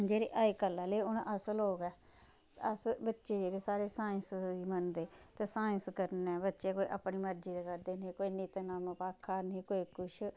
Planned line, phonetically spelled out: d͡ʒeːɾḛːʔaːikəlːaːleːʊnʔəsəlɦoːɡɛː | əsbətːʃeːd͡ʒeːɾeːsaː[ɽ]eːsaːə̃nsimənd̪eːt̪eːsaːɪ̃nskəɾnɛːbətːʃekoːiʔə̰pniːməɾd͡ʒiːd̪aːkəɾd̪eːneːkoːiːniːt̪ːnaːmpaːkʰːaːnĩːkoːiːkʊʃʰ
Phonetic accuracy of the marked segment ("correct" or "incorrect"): incorrect